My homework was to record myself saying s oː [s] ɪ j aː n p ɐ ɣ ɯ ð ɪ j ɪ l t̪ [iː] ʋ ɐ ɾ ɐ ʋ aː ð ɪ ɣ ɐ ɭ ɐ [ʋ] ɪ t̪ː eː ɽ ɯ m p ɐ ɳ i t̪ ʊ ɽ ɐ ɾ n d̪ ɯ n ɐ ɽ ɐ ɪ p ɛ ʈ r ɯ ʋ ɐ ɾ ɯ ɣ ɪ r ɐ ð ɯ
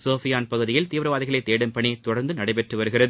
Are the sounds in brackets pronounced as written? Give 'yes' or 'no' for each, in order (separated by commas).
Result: no, yes, no